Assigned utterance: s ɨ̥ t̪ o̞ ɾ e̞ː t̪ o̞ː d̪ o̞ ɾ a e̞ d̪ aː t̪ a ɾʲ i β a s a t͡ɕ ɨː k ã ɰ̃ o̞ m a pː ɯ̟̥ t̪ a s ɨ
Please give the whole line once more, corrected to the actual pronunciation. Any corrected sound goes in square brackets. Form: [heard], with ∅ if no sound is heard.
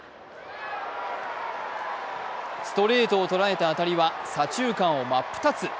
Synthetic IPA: s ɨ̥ t̪ o̞ ɾ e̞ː t̪ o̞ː [t̪] o̞ ɾ a e̞ [t̪] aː t̪ a ɾʲ i β a s a t͡ɕ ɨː k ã ɰ̃ o̞ m a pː ɯ̟̥ t̪ a [t͡s] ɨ